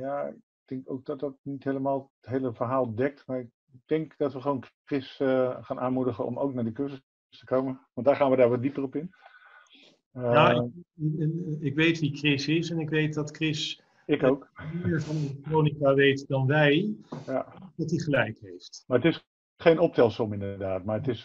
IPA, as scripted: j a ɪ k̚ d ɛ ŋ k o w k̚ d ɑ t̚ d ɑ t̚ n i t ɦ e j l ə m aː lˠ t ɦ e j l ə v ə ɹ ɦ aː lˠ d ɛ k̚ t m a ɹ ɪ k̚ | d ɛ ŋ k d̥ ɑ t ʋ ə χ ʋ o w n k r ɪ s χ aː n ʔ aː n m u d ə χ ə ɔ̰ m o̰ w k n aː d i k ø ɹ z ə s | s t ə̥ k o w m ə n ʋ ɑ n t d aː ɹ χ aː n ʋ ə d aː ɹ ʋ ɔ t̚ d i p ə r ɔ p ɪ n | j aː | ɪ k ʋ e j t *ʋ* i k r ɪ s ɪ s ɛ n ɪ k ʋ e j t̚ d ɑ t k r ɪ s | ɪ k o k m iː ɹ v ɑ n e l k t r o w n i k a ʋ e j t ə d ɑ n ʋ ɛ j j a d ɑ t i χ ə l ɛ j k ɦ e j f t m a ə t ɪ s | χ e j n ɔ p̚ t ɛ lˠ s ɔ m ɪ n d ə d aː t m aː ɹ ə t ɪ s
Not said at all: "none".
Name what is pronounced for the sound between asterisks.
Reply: ʋ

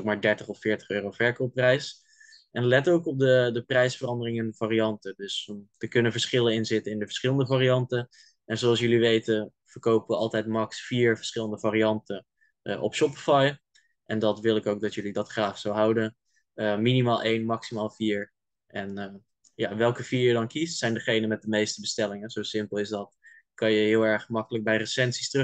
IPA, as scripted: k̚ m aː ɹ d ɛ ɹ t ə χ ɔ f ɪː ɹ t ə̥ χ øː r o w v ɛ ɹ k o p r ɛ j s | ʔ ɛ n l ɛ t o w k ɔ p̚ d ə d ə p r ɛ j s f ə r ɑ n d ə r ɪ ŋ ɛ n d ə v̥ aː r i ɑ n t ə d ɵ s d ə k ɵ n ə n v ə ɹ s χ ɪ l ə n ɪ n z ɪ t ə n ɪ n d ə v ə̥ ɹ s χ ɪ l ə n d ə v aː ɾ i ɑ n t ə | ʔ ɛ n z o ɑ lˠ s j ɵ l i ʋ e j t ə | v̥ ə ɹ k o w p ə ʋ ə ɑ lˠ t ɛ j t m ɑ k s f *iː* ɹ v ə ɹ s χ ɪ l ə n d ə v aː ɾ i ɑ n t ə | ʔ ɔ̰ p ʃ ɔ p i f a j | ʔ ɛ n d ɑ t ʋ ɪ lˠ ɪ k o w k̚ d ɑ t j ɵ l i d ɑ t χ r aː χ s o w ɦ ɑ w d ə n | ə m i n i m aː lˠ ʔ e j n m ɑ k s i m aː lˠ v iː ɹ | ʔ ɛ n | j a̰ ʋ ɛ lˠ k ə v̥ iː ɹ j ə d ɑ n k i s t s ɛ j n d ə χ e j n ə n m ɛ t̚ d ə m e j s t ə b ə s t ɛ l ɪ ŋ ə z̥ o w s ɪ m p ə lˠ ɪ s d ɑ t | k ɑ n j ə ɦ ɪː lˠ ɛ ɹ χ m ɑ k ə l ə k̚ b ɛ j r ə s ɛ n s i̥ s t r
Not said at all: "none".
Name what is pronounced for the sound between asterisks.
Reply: iː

